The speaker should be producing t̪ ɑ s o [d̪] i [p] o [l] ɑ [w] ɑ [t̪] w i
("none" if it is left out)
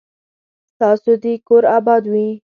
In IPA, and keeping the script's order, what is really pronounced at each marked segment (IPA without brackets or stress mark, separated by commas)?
d̪, k, ɾ, b, d̪